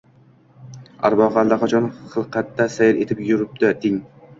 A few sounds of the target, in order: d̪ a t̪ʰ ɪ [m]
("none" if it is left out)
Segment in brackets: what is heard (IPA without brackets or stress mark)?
ŋ